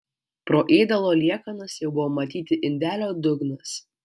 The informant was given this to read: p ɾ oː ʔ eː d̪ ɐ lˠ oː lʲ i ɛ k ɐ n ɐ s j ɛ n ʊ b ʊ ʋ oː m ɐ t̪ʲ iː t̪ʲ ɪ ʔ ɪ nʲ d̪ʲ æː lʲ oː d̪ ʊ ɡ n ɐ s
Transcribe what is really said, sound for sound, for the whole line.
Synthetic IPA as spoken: p ɾ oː ʔ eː d̪ ɐ lˠ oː lʲ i ɛ k ɐ n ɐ s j ɛ ʊ b ʊ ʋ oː m ɐ t̪ʲ iː t̪ʲ ɪ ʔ ɪ nʲ d̪ʲ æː lʲ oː d̪ ʊ ɡ n ɐ s